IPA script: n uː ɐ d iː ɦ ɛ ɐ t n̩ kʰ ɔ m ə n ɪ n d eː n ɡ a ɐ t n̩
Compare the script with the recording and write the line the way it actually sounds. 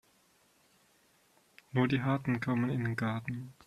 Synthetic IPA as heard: n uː ɐ d iː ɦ a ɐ t n̩ kʰ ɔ m ə n ɪ n d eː n ɡ a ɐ t n̩

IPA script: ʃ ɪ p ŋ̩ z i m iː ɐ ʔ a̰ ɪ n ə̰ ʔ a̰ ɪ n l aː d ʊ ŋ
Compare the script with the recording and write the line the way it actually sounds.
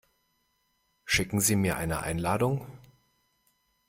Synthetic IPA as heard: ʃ ɪ k ŋ̩ z iː m iː ɐ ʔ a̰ ɪ n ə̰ ʔ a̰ ɪ n l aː d ʊ ŋ

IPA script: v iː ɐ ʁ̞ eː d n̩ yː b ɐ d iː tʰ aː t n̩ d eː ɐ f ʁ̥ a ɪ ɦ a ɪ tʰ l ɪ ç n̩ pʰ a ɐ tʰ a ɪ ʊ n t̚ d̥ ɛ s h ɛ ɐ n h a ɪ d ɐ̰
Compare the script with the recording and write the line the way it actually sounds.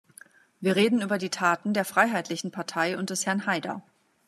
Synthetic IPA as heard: v iː ɐ ʁ̞ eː d n̩ yː b ɐ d iː tʰ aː t n̩ d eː ɐ f ʁ̥ a ɪ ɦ a ɪ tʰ l ɪ ç n̩ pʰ a ɐ tʰ a ɪ ʊ n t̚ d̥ ɛ s h ɛ ɐ n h a ɪ d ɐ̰

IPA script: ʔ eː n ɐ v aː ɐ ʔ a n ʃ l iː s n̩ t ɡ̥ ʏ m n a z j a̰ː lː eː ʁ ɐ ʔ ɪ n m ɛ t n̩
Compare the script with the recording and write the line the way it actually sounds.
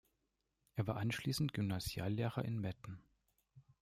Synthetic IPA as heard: ʔ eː ɐ v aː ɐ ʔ a n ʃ l iː s n̩ t ɡ̥ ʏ m n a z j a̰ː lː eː ʁ ɐ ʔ ɪ n m ɛ t n̩

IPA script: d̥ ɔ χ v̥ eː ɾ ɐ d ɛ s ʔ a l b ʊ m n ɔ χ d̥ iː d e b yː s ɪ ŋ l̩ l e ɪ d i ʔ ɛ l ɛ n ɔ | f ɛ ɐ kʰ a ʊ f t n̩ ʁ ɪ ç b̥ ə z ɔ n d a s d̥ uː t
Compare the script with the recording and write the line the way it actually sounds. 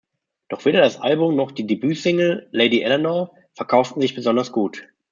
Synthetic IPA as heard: d̥ ɔ χ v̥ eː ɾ ɐ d a s ʔ a l b ʊ m n ɔ χ d̥ iː d e b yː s ɪ ŋ l̩ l e ɪ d i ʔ ɛ l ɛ n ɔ | f ɛ ɐ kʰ a ʊ f t n̩ z ɪ ç b̥ ə z ɔ n d ɐ s ɡ̥ uː t

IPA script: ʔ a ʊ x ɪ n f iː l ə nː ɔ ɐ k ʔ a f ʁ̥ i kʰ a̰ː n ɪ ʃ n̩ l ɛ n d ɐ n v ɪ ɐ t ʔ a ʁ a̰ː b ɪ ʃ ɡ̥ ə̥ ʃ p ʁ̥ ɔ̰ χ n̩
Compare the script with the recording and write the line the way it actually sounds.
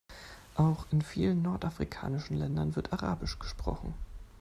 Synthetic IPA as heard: ʔ a ʊ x ɪ n f iː l ə nː ɔ ɐ t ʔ a f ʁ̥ i kʰ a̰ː n ɪ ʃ n̩ l ɛ n d ɐ n v ɪ ɐ t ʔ a ʁ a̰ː b ɪ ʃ ɡ̥ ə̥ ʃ p ʁ̥ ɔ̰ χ n̩

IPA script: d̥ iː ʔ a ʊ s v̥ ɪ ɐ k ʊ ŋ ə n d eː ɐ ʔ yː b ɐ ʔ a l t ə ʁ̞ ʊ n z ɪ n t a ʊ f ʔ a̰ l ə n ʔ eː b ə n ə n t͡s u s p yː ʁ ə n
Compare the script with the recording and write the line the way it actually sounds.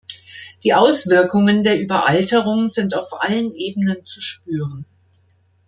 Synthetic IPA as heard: d̥ iː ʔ a ʊ s v̥ ɪ ɐ k ʊ ŋ ə n d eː ɐ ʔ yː b ɐ ʔ a l t ə ʁ̞ ʊ ŋ z ɪ n t a ʊ f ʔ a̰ l ə n ʔ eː b ə n ə n t͡s u ʃ p yː ʁ ə n

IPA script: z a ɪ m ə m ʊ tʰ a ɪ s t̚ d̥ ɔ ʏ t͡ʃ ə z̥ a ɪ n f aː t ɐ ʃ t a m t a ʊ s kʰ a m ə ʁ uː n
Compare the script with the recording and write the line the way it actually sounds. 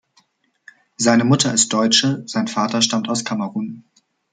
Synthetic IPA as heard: z a ɪ n ə m ʊ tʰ ɐ ɪ s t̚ d̥ ɔ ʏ t͡ʃ ə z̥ a ɪ n f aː t ɐ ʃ t a m t a ʊ s kʰ a m ə ʁ uː n

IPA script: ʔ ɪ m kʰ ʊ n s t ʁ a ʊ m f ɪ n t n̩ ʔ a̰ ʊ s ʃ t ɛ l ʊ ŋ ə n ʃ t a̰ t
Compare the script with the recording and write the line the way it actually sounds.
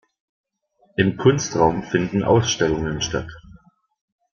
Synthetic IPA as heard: ʔ ɪ m kʰ ʊ n s t ʁ a ʊ m f ɪ n d n̩ ʔ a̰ ʊ s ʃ t ɛ l ʊ ŋ ə n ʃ t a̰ t

